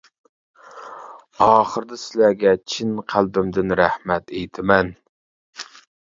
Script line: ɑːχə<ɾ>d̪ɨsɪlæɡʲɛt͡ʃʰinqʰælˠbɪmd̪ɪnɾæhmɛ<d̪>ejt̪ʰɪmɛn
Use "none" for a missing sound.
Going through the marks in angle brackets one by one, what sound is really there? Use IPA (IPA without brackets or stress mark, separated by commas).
ɾ, t̪